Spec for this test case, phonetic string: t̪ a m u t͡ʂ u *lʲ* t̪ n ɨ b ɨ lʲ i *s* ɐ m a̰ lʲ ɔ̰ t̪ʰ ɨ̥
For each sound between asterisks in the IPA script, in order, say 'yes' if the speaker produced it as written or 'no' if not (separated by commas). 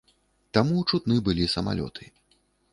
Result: no, yes